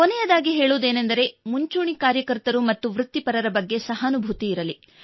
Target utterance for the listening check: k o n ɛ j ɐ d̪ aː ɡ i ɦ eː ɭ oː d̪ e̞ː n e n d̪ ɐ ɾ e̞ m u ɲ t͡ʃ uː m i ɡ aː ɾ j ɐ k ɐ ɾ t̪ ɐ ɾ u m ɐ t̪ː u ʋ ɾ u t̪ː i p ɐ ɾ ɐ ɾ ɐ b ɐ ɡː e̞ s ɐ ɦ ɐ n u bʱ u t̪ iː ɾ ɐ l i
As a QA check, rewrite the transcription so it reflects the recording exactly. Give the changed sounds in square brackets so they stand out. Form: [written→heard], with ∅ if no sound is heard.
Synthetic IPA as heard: k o n ɛ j ɐ d̪ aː ɡ i ɦ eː ɭ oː d̪ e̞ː n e n d̪ ɐ ɾ e̞ m u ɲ t͡ʃ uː [m→ɳ] i [ɡ→k] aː ɾ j ɐ k ɐ ɾ t̪ ɐ ɾ u m ɐ t̪ː u ʋ ɾ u t̪ː i p ɐ ɾ ɐ ɾ ɐ b ɐ ɡː e̞ s ɐ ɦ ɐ n u bʱ u t̪ iː ɾ ɐ l i